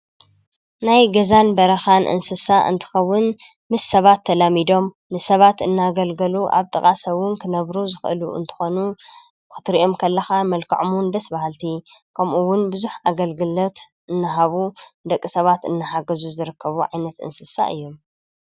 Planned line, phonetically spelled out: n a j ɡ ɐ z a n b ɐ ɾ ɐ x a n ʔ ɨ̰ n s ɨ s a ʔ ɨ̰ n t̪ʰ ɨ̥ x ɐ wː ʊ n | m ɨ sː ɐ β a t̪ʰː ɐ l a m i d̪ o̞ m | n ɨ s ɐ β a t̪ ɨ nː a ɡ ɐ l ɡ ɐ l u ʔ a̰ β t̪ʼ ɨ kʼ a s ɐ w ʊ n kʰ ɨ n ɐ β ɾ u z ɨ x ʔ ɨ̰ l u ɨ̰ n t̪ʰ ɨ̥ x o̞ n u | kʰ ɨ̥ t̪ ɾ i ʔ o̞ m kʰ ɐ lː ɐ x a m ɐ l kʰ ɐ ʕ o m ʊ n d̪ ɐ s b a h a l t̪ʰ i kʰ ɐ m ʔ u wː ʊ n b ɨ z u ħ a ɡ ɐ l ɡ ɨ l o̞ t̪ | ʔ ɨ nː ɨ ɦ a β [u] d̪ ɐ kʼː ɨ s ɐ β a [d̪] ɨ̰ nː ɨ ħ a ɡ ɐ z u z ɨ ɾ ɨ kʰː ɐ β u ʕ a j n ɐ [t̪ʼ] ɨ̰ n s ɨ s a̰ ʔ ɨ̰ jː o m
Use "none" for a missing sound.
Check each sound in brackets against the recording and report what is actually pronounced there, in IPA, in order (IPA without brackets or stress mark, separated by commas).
u, t̪, t̪